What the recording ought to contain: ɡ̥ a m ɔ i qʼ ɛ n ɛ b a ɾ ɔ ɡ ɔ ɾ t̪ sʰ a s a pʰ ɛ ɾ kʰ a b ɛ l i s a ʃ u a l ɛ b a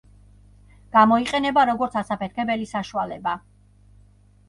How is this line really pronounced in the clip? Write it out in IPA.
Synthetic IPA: ɡ̥ a m ɔ i qʼ ɛ n ɛ b a ɾ ɔ ɡ ɔ ɾ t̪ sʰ a s a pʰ ɛ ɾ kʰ ɛ b ɛ l i s a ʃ u a l ɛ b a